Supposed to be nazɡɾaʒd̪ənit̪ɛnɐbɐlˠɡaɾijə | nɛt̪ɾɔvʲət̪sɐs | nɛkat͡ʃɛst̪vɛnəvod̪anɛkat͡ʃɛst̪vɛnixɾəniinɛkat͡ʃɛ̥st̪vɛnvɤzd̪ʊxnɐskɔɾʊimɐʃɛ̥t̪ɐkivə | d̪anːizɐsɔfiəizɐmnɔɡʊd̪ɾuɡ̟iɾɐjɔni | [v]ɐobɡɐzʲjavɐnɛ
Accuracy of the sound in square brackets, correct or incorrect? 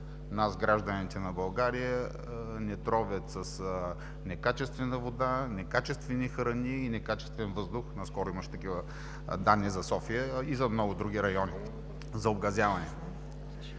incorrect